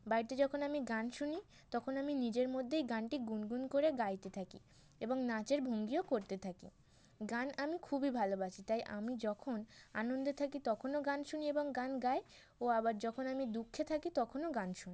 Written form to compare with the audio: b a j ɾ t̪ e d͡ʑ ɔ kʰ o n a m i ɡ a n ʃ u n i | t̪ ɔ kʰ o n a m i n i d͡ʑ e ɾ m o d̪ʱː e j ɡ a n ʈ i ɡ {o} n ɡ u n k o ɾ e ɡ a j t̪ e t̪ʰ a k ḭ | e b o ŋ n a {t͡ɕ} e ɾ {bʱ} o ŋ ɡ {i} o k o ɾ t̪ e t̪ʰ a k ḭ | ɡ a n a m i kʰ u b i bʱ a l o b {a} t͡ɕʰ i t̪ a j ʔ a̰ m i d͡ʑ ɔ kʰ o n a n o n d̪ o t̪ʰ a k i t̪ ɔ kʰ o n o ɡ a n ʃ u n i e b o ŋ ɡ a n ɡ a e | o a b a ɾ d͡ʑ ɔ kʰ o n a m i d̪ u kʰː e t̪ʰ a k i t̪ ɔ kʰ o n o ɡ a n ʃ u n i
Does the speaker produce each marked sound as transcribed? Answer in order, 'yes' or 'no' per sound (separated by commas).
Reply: no, yes, yes, yes, yes